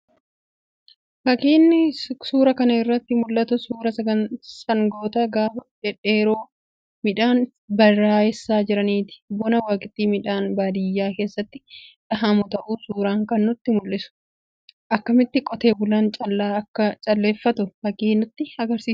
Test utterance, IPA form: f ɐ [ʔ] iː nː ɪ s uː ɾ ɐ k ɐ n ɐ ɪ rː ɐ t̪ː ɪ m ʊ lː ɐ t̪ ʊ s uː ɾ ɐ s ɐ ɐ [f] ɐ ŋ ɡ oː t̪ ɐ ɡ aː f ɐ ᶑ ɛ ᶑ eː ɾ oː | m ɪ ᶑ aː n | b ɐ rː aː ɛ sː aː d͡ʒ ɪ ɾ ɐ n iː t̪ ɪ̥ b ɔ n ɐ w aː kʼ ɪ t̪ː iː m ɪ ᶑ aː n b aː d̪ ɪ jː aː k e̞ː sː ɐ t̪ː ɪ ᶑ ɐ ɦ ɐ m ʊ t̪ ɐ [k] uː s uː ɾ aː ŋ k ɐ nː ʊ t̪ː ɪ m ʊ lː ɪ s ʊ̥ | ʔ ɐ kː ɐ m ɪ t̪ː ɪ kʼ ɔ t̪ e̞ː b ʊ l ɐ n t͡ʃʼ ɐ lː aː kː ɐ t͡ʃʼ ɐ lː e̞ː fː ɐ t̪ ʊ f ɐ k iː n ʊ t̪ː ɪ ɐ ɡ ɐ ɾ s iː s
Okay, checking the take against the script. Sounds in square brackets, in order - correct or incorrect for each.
incorrect: k, incorrect: s, incorrect: ʔ

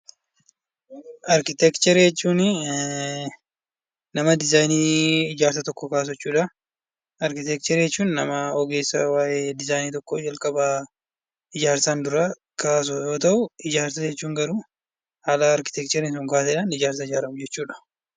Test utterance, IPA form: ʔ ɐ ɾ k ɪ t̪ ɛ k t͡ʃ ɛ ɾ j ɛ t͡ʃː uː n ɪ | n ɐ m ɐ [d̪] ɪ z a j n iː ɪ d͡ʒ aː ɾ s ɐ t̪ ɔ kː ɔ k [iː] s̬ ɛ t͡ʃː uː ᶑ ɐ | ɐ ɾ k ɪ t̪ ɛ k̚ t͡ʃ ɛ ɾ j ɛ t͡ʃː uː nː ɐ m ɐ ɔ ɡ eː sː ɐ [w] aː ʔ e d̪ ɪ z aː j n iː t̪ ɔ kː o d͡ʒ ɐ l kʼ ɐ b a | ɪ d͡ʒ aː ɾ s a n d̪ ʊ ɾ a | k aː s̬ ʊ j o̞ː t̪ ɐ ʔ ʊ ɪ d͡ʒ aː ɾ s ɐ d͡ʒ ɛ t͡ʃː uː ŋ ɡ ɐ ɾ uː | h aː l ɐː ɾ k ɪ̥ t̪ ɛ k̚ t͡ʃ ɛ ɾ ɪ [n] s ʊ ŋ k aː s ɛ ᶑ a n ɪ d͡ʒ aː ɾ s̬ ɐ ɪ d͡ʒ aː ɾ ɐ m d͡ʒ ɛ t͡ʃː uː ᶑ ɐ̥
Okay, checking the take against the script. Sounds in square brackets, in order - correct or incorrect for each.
correct, incorrect: aː, correct, correct

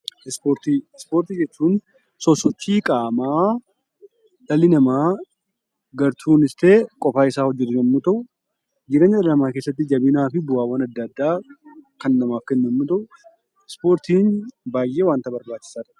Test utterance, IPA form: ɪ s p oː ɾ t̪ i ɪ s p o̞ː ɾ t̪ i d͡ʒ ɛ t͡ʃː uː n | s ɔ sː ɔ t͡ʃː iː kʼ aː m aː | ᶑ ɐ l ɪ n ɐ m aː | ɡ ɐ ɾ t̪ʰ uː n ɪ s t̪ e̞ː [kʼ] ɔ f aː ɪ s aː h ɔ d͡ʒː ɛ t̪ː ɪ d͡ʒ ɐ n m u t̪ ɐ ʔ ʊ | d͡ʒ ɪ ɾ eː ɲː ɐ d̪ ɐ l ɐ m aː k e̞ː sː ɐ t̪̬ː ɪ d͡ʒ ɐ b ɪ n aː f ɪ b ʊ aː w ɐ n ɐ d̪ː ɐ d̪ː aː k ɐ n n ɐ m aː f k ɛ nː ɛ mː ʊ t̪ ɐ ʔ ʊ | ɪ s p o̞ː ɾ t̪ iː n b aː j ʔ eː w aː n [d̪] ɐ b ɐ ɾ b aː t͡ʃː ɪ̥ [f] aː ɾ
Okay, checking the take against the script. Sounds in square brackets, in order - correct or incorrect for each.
correct, incorrect: t̪, incorrect: s

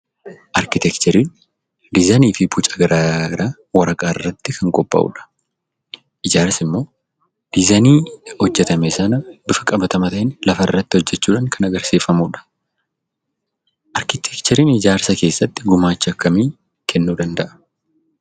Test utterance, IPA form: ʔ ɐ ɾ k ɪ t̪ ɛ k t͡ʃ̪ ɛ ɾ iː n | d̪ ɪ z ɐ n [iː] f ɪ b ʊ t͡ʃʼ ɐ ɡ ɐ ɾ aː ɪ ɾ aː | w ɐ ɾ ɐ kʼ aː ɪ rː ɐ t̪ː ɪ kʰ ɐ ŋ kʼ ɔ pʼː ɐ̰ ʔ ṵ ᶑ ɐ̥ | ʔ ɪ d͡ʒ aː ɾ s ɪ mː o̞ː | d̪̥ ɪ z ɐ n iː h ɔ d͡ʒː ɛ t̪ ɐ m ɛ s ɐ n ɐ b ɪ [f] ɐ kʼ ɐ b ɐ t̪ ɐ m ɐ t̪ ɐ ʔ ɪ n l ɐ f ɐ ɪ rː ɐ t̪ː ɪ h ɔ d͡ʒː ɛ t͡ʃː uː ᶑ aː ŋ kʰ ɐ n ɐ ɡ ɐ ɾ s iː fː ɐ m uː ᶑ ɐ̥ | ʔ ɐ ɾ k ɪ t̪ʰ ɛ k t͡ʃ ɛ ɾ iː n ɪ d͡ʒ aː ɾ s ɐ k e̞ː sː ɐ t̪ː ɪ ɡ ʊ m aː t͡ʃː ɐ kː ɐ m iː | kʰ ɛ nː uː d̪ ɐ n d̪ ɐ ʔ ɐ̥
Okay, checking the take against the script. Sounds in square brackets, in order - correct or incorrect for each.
correct, correct

